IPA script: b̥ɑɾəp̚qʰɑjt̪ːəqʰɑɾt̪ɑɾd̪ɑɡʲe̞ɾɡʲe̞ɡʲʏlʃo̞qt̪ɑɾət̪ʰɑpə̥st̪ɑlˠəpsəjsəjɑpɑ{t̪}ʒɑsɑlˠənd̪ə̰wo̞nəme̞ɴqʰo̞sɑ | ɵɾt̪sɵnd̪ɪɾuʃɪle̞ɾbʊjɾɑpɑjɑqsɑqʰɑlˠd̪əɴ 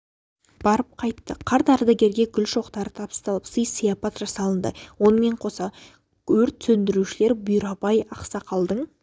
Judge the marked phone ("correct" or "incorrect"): correct